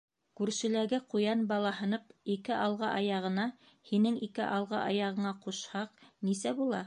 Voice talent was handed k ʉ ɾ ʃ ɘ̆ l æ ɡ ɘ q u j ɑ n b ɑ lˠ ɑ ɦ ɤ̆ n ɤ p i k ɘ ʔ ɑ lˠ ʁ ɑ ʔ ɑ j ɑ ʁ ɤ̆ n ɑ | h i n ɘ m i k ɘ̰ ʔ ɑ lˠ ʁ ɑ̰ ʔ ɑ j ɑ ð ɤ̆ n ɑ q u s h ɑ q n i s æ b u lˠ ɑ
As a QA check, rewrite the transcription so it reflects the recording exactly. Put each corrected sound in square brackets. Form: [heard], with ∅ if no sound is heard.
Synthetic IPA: k ʉ ɾ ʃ ɘ̆ l æ ɡ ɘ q u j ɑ n b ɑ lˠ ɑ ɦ ɤ̆ n ɤ p i k ɘ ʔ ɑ lˠ ʁ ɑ ʔ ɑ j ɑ ʁ ɤ̆ n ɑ | h i n ɘ [ŋ] i k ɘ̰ ʔ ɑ lˠ ʁ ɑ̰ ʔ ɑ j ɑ [ʁ] ɤ̆ [ɴ] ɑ q u [ʃ] h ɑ q n i s æ b u lˠ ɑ